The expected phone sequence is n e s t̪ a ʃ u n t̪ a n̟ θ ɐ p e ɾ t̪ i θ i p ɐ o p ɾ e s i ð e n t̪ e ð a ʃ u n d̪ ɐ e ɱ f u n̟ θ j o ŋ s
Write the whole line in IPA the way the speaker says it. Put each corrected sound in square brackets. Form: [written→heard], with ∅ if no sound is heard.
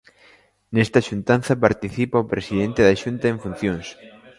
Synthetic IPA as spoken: n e s t̪ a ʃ u n t̪ a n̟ θ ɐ p [e→a] ɾ t̪ i θ i p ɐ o p ɾ e s i ð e n t̪ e ð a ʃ u n [d̪→t̪] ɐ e ɱ f u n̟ θ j o ŋ s